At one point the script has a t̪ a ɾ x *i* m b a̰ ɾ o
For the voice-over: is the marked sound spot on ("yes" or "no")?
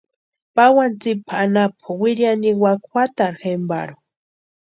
no